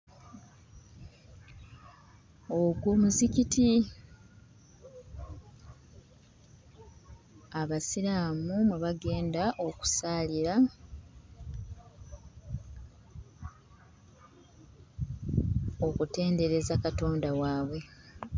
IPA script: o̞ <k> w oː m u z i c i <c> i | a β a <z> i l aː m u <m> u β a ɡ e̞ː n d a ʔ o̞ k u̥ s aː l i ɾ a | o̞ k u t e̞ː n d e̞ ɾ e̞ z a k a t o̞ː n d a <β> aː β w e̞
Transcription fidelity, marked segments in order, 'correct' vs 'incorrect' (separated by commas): incorrect, incorrect, incorrect, correct, incorrect